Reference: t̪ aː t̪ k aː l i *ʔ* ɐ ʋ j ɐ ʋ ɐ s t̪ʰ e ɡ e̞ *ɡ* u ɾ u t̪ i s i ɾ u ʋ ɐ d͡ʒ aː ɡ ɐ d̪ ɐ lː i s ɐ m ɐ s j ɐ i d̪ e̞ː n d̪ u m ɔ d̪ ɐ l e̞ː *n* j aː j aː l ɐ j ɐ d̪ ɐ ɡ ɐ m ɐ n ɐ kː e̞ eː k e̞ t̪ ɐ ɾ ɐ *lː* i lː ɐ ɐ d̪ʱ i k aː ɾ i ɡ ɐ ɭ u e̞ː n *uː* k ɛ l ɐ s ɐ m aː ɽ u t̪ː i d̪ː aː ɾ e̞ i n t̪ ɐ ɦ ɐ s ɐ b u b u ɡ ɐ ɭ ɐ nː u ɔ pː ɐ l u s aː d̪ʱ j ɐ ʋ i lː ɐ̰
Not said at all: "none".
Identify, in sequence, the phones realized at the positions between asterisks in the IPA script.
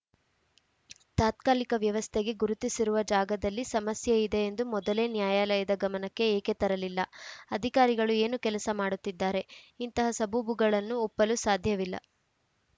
k, ɡ, n, l, u

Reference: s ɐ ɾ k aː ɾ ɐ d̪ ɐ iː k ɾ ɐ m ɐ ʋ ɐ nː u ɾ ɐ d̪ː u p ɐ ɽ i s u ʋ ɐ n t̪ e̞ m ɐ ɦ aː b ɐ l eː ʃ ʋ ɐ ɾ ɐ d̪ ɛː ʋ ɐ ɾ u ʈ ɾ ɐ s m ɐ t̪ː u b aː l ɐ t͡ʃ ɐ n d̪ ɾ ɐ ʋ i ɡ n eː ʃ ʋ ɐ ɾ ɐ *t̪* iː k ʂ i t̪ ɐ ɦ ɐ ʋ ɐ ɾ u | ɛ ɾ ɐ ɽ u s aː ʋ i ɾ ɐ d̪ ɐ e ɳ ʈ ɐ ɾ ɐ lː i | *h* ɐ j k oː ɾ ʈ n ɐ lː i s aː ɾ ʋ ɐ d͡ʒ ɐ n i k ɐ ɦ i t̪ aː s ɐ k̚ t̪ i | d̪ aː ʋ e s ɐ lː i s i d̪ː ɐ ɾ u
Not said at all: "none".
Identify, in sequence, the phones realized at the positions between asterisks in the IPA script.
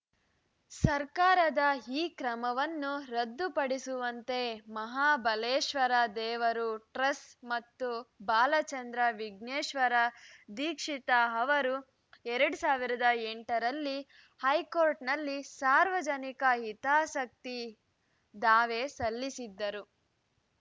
d̪, h

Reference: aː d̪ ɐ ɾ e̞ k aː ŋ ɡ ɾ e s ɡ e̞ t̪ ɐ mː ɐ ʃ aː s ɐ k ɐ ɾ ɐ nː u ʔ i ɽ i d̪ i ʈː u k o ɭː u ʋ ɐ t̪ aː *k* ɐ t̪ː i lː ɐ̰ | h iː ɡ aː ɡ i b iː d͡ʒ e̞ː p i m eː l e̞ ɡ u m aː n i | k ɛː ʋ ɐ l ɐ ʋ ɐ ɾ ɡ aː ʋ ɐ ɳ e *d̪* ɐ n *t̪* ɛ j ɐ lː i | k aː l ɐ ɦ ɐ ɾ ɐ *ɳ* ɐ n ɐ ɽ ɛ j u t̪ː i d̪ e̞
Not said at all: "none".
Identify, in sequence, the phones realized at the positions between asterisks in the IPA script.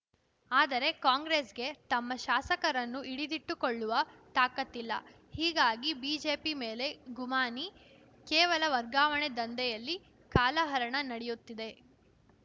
k, d̪, d̪, ɳ

